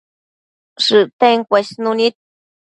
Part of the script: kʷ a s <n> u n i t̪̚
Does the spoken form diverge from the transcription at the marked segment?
no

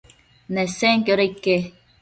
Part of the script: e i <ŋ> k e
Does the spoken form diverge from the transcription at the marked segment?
yes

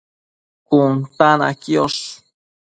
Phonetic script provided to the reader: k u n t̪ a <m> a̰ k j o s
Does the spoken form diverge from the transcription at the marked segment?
yes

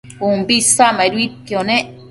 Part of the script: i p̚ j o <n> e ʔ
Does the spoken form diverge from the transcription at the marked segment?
no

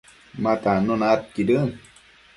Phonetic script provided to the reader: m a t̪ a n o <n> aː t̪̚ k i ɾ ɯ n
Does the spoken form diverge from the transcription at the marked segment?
no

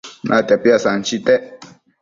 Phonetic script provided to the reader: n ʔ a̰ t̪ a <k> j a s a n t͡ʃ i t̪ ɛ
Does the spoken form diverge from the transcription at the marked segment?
yes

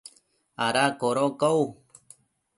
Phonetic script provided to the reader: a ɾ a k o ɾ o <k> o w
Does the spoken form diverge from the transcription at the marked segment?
no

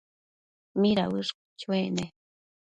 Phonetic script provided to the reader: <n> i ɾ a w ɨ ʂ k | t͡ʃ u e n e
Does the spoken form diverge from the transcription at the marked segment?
yes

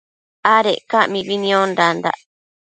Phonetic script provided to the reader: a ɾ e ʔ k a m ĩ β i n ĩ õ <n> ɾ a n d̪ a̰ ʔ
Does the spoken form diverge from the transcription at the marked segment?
no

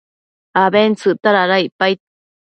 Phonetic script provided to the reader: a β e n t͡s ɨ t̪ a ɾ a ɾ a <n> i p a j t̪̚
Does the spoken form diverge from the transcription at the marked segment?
yes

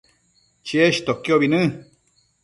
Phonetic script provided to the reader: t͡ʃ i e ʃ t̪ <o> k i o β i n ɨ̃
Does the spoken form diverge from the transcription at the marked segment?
no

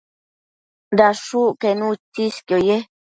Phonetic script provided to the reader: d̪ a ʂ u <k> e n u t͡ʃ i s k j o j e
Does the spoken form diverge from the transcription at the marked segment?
no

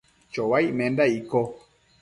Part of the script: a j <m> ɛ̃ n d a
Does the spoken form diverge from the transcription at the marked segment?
no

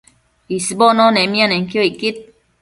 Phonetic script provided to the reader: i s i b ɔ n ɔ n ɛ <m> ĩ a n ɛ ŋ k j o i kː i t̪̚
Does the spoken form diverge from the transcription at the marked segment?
no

